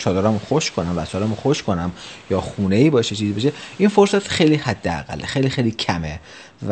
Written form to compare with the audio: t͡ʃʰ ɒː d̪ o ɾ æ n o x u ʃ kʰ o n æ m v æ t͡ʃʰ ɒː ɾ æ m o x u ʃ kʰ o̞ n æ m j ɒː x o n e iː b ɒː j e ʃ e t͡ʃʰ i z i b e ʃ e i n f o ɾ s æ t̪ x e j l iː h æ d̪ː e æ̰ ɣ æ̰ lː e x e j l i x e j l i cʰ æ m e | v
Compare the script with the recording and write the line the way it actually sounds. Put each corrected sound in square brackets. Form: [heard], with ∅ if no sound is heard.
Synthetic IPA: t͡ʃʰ ɒː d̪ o ɾ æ [m] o x [o] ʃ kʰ o n æ m v æ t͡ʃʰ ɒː ɾ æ m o x [o] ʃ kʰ o̞ n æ m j ɒː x [u] n e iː b ɒː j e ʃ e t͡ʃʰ i z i b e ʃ e i n f o ɾ s æ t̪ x e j l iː h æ d̪ː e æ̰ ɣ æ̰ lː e x e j l i x e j l i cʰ æ m e | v